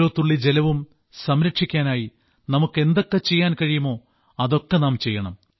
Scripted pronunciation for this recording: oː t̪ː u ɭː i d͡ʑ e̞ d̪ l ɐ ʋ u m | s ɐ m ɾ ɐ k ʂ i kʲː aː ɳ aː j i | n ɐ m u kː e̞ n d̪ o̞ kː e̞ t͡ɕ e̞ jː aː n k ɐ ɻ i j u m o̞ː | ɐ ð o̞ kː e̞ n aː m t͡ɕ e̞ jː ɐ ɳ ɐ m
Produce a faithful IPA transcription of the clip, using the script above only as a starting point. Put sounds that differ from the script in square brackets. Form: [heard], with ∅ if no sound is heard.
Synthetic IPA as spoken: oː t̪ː u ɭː i d͡ʑ e̞ [∅] l ɐ ʋ u m | s ɐ m ɾ ɐ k ʂ i kʲː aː [n] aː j i | n ɐ m u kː e̞ n d̪ o̞ kː e̞ t͡ɕ e̞ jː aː n k ɐ ɻ i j u m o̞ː | ɐ ð o̞ kː e̞ n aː m t͡ɕ e̞ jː ɐ ɳ ɐ m

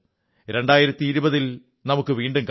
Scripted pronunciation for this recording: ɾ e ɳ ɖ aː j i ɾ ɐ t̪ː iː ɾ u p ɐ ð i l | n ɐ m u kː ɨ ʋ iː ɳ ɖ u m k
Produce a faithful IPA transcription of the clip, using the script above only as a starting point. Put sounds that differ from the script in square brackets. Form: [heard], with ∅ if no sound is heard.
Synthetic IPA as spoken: ɾ e ɳ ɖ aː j i ɾ ɐ t̪ː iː ɾ u [b] ɐ ð i l | n ɐ m u kː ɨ ʋ iː ɳ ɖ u m k

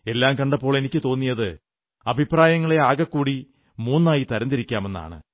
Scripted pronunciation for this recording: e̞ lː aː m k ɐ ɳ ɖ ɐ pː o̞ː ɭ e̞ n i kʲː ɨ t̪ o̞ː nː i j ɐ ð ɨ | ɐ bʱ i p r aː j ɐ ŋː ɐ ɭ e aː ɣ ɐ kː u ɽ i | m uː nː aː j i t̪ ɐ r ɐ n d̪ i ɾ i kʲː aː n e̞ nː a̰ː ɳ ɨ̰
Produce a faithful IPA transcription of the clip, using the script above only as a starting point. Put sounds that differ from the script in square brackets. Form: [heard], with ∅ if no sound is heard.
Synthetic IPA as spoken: e̞ lː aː m k ɐ ɳ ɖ ɐ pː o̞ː ɭ e̞ n i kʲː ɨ t̪ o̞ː nː i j ɐ ð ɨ | ɐ bʱ i p r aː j ɐ ŋː ɐ ɭ e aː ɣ ɐ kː [uː] ɽ i | m uː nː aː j i t̪ ɐ [ɾ] ɐ n d̪ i ɾ i kʲː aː [m] e̞ nː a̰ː ɳ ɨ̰

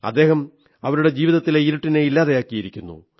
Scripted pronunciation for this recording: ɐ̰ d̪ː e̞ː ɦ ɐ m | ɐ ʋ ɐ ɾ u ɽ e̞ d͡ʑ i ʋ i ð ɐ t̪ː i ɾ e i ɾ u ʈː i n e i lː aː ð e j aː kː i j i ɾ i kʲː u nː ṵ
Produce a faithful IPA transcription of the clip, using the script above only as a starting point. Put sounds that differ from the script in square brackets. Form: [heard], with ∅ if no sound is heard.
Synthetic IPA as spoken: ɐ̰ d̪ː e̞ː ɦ ɐ m | ɐ ʋ ɐ ɾ u ɽ e̞ d͡ʑ [iː] ʋ i ð ɐ t̪ː i [l] e i ɾ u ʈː i n e i lː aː ð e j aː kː i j i ɾ i kʲː u nː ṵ

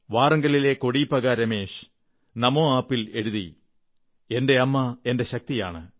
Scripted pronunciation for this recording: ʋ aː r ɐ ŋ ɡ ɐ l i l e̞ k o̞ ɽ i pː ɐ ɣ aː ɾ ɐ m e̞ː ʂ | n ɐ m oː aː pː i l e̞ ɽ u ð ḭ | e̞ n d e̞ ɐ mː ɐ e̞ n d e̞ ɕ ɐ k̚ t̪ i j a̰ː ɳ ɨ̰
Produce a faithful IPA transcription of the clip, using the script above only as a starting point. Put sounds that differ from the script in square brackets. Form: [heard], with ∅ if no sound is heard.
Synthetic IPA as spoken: ʋ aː r ɐ ŋ ɡ ɐ l i l e̞ k o̞ ɽ i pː ɐ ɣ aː ɾ ɐ m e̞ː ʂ | n ɐ m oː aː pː i l e̞ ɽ u ð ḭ | e̞ n d e̞ ɐ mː ɐ e̞ n d e̞ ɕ ɐ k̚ t̪ i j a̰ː ɳ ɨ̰

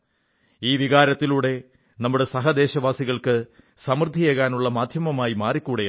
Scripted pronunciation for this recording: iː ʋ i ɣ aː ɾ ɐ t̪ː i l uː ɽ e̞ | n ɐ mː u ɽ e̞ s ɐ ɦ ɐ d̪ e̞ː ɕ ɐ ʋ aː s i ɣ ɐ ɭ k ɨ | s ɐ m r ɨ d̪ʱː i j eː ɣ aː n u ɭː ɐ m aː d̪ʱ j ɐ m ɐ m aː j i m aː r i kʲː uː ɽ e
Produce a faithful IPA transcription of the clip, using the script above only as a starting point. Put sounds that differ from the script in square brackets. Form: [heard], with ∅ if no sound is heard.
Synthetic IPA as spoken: iː ʋ i ɣ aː ɾ ɐ t̪ː i l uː ɽ e̞ | n ɐ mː u ɽ e̞ s ɐ ɦ ɐ d̪ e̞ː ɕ ɐ ʋ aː s i ɣ ɐ ɭ k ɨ | s ɐ m r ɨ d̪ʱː i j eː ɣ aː n u ɭː ɐ m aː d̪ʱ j ɐ m ɐ m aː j i m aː r i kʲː uː ɽ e

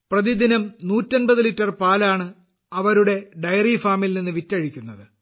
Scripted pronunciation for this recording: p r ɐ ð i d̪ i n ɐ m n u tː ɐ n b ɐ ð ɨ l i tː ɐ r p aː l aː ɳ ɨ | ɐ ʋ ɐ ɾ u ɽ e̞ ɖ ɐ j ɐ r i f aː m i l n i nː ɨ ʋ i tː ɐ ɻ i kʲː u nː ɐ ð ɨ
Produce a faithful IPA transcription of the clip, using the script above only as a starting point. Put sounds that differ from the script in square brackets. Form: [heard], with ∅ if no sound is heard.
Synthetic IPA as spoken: p r ɐ ð i d̪ i n ɐ m n [uː] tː ɐ n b ɐ ð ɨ l i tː ɐ r p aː l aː ɳ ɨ | ɐ ʋ ɐ ɾ u ɽ e̞ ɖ ɐ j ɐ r i f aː m i l n i nː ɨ ʋ i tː ɐ ɻ i kʲː u nː ɐ ð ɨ

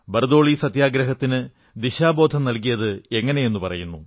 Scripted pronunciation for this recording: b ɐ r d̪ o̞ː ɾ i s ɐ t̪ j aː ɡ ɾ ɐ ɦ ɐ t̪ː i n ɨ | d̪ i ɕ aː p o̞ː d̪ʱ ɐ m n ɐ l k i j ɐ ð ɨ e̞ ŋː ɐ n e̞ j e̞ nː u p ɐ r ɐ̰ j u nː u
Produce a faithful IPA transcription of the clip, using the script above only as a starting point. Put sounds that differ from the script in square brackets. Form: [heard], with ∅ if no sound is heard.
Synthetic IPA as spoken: b ɐ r d̪ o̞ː [ɭ] i s ɐ t̪ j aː ɡ ɾ ɐ ɦ ɐ t̪ː i n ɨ | d̪ i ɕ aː [b] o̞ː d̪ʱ ɐ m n ɐ l k i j ɐ ð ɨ e̞ ŋː ɐ n e̞ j e̞ nː u p ɐ r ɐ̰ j u nː u

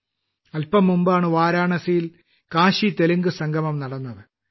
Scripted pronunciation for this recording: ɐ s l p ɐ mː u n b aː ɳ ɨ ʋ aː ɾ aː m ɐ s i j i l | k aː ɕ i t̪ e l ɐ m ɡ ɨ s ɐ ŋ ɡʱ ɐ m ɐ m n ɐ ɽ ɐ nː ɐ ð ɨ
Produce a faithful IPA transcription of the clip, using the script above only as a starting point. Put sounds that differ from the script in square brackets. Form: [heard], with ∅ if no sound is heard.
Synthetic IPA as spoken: ɐ [∅] l p ɐ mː u [m] b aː ɳ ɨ ʋ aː ɾ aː [ɳ] ɐ s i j i l | k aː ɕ i t̪ e l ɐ [ŋ] ɡ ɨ s ɐ ŋ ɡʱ ɐ m ɐ m n ɐ ɽ ɐ nː ɐ ð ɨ

